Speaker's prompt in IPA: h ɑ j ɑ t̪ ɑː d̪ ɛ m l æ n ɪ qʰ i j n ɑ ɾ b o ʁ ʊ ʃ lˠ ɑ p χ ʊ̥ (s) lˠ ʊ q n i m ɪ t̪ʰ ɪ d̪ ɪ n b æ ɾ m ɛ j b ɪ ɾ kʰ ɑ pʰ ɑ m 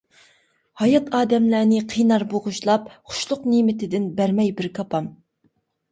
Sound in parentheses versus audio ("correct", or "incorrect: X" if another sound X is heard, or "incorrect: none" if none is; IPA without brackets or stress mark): incorrect: ʃ